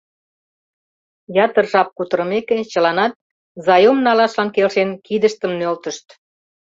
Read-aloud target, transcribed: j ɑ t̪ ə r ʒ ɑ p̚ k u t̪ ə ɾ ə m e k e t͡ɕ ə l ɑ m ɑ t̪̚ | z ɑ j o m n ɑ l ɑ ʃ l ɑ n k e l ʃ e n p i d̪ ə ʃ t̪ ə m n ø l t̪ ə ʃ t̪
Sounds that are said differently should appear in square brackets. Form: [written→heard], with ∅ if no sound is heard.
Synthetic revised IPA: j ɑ t̪ ə r ʒ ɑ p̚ k u t̪ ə ɾ ə m e k e t͡ɕ ə l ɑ [m→n] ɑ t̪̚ | z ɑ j o m n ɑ l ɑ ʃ l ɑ n k e l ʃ e n [p→k] i d̪ ə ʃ t̪ ə m n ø l t̪ ə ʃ t̪